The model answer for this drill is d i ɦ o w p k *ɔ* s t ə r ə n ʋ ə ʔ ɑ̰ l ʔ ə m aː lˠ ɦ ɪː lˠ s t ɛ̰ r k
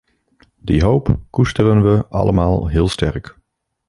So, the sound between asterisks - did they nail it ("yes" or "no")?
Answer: no